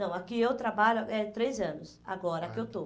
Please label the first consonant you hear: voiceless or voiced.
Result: voiced